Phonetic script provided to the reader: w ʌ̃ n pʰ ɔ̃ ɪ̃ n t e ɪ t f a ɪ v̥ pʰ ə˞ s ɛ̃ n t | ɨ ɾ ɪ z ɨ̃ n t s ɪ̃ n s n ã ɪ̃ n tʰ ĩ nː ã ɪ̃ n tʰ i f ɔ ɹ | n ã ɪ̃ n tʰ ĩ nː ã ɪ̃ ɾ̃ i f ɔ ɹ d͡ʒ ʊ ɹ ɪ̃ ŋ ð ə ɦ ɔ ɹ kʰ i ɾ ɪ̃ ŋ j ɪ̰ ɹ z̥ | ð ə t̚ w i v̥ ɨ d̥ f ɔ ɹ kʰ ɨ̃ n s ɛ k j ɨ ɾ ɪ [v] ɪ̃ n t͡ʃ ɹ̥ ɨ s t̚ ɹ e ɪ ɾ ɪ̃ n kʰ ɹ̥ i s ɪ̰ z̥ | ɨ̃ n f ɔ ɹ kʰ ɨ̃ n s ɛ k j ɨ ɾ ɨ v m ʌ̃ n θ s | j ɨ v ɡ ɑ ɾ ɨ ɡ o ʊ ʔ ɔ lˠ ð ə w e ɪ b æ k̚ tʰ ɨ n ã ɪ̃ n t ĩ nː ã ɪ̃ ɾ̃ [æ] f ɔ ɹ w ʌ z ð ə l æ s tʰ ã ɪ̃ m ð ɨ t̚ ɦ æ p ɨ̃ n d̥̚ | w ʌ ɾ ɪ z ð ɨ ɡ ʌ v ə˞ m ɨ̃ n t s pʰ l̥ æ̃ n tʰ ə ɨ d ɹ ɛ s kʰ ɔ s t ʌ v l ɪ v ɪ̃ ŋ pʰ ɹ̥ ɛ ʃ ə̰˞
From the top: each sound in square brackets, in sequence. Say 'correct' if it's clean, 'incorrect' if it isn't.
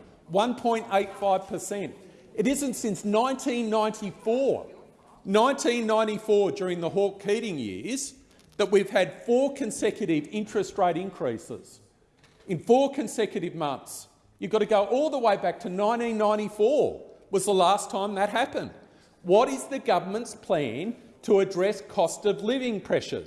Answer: correct, incorrect: i

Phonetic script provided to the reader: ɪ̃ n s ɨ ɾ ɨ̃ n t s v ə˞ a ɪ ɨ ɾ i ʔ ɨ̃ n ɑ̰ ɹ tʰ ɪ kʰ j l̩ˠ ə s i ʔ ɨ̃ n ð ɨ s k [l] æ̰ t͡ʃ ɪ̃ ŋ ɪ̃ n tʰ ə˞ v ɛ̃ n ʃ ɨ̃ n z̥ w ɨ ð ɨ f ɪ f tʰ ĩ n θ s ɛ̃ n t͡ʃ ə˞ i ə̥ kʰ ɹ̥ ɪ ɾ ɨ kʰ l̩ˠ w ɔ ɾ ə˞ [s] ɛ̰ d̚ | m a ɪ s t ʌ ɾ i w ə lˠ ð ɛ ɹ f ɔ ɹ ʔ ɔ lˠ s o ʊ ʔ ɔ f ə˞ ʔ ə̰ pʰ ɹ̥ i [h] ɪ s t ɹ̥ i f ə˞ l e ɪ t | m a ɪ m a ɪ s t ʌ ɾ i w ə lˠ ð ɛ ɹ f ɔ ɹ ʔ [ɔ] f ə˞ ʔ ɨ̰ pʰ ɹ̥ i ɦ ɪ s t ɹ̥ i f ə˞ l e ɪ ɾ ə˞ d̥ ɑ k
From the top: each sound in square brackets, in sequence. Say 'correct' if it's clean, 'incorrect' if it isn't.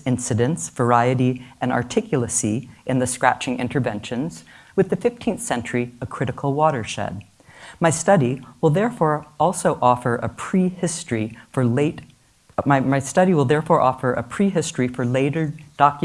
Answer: incorrect: ɹ, incorrect: ʃ, correct, correct

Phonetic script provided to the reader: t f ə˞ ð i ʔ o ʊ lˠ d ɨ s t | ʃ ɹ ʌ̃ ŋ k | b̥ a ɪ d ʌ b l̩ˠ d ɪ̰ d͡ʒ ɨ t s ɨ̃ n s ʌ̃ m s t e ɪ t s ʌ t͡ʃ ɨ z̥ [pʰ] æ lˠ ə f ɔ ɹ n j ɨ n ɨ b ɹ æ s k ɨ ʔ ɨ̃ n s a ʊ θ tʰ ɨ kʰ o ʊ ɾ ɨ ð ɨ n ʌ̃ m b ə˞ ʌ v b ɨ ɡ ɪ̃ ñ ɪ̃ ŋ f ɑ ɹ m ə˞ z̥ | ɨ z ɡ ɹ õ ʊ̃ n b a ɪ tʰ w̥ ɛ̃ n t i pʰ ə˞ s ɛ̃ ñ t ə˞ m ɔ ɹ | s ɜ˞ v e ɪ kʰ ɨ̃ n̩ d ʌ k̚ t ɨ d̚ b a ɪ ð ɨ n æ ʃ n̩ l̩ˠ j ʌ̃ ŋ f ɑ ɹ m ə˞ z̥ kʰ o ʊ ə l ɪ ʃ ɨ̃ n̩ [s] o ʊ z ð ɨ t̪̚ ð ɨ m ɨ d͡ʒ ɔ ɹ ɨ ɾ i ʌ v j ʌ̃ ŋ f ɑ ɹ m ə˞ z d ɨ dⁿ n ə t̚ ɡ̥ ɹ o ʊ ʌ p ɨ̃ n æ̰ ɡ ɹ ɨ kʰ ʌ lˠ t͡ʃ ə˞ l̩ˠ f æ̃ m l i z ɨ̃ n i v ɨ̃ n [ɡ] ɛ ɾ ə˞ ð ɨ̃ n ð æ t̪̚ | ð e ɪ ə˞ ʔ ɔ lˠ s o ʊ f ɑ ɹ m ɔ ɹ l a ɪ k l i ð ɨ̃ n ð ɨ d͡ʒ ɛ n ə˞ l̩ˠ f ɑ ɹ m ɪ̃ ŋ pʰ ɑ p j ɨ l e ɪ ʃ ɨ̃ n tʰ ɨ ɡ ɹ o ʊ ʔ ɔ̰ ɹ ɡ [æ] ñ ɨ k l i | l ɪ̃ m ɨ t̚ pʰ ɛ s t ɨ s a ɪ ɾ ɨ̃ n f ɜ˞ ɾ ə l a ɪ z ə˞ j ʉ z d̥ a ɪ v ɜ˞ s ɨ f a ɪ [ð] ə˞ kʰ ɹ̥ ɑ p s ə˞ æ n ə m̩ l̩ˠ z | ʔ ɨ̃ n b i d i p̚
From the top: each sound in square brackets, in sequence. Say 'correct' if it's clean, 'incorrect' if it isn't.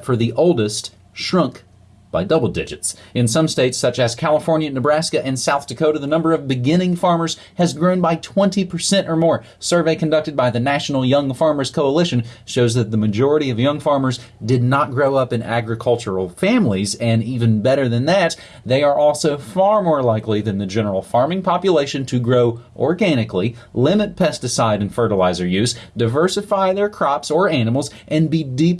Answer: incorrect: kʰ, incorrect: ʃ, incorrect: b, correct, correct

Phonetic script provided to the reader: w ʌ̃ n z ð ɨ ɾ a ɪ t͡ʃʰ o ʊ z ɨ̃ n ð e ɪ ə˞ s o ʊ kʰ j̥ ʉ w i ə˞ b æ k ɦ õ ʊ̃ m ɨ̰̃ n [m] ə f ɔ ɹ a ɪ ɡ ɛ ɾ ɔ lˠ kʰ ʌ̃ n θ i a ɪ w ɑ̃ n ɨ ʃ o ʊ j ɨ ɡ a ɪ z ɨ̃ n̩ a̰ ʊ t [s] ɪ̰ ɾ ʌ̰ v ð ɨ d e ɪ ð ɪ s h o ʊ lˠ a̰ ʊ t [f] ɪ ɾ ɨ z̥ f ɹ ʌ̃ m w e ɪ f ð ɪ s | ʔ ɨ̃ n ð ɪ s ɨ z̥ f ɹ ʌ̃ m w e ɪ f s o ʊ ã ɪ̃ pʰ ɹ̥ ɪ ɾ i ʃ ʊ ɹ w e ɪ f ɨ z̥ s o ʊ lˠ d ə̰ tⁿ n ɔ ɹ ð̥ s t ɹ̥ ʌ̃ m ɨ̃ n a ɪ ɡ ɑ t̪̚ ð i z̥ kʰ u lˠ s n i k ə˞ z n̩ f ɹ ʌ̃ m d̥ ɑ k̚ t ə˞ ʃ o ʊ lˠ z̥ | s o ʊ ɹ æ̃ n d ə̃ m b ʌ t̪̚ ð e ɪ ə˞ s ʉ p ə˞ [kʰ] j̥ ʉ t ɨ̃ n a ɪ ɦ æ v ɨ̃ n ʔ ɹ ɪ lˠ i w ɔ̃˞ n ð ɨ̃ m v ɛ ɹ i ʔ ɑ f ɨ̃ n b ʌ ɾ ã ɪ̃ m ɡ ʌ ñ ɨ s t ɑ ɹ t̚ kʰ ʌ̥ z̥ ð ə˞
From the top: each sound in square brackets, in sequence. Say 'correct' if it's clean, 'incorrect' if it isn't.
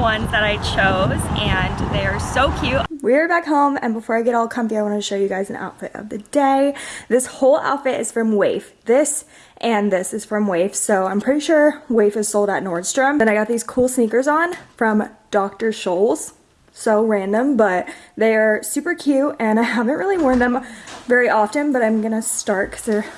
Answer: incorrect: b, incorrect: f, correct, correct

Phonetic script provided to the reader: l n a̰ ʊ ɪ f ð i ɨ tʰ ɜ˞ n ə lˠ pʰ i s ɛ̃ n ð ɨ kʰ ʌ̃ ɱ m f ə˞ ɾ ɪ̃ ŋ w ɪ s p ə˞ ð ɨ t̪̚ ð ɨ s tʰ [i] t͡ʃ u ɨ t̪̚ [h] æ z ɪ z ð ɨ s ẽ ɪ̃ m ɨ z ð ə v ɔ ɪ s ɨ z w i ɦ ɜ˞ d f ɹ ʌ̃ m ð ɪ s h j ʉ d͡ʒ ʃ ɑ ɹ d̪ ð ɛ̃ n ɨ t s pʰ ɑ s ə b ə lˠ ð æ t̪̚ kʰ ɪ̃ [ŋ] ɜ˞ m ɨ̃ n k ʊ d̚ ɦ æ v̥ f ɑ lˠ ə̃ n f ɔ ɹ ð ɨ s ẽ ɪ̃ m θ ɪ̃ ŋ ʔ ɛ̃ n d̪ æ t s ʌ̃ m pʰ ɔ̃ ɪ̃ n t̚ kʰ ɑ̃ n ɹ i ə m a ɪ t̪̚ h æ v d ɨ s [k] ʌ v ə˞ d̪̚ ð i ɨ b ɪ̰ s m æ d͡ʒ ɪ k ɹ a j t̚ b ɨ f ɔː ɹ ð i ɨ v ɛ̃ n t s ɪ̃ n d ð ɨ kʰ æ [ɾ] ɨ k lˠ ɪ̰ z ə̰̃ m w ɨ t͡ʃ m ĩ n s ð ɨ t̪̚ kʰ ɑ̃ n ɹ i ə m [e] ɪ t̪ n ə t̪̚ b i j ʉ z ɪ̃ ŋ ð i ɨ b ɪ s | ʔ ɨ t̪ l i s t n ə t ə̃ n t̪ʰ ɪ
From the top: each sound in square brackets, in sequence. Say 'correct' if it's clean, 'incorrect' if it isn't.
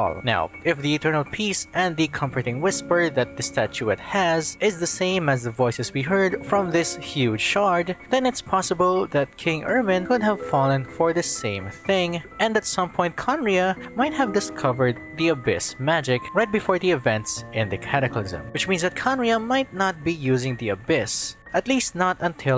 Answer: incorrect: æ, correct, correct, incorrect: kʰ, correct, incorrect: a

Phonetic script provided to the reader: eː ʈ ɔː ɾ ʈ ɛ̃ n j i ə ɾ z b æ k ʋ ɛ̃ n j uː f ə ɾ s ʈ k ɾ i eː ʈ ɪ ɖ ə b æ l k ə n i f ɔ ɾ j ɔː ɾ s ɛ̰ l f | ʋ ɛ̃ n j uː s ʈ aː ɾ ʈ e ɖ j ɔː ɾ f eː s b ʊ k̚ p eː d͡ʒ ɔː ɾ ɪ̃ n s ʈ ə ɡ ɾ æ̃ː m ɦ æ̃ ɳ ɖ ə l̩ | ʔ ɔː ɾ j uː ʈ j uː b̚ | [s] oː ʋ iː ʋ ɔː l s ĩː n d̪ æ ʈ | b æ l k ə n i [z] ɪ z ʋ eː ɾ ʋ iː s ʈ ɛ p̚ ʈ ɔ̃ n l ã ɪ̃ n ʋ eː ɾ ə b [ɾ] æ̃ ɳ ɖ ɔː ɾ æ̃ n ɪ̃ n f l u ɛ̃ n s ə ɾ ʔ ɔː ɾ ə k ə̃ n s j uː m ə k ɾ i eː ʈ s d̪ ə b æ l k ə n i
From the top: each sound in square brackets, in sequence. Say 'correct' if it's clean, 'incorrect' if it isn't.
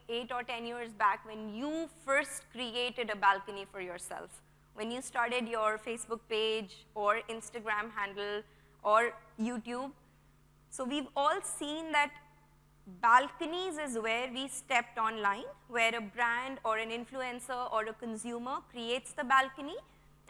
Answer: correct, correct, correct

